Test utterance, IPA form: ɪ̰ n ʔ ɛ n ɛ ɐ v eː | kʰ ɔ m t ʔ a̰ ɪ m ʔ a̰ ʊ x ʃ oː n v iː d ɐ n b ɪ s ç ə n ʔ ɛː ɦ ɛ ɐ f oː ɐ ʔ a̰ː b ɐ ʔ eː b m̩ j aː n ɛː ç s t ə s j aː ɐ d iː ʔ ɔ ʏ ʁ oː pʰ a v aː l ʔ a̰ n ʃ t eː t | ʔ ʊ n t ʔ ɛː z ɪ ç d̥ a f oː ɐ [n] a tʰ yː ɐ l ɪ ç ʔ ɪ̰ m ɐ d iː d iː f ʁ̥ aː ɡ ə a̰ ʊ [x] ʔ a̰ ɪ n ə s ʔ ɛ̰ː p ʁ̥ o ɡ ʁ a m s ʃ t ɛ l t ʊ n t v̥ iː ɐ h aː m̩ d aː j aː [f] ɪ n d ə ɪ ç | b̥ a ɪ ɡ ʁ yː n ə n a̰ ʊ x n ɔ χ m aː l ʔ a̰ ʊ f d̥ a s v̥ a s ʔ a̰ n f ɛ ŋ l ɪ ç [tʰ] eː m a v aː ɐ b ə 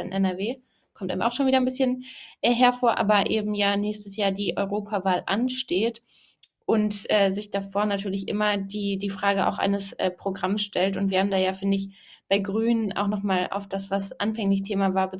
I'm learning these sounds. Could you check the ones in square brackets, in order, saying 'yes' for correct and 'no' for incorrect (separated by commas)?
yes, yes, yes, yes